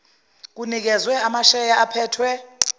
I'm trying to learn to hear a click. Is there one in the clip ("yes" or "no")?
no